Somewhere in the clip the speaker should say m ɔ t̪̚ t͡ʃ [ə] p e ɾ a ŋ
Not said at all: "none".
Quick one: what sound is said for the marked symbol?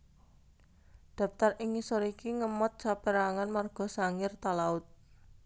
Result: a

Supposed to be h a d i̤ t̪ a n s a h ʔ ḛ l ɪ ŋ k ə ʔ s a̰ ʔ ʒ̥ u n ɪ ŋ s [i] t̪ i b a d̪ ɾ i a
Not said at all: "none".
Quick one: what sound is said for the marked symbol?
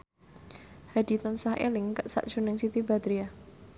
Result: i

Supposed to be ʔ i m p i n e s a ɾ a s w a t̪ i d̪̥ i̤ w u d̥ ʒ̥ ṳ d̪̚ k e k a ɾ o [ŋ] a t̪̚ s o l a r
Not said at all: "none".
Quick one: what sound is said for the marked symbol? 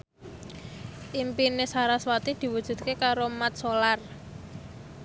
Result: m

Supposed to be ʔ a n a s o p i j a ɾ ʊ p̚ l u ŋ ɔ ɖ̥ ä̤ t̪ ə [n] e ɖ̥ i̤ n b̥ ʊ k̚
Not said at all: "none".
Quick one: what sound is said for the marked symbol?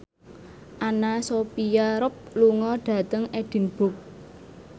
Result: ŋ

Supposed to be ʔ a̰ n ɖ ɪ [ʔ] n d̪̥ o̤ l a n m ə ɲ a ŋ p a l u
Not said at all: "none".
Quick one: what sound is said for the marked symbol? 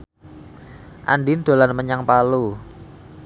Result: none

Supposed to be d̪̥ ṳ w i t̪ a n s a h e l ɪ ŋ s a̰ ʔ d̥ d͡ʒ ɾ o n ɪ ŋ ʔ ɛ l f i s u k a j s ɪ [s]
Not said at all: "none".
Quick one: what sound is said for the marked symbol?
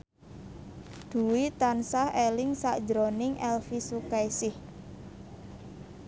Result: h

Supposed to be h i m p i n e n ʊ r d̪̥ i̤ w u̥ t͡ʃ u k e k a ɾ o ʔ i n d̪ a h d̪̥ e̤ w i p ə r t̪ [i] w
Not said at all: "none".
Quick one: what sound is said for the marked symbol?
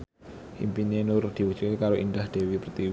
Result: i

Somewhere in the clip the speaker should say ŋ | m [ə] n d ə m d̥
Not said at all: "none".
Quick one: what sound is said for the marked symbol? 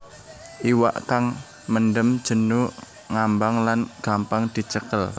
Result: ə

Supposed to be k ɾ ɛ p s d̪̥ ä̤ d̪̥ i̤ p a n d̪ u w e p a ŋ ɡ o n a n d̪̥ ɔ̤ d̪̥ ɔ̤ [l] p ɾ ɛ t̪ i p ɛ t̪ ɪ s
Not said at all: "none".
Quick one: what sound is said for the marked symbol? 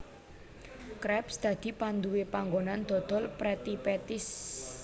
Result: l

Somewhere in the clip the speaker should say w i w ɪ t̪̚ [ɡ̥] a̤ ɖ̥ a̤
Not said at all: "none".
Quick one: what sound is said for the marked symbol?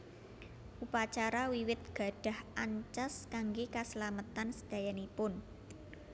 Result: ɡ̥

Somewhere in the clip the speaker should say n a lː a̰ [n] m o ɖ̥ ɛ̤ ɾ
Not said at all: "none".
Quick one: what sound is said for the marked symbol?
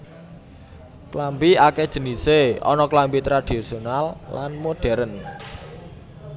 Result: n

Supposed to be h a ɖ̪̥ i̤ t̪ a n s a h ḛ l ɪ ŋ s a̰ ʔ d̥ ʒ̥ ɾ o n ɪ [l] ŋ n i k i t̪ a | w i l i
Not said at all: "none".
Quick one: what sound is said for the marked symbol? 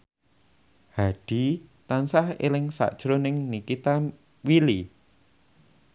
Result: none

